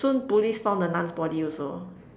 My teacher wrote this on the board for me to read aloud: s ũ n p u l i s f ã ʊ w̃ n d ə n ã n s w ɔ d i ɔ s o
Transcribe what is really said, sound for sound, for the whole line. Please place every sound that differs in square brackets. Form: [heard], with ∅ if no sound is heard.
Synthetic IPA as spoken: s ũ n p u l i s f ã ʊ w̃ n d ə n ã n s [b] ɔ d i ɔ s o